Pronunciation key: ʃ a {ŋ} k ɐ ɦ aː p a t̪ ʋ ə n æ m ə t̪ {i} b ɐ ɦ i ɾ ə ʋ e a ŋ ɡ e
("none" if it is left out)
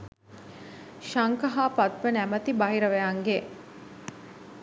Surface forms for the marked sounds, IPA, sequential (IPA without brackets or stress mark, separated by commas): ŋ, i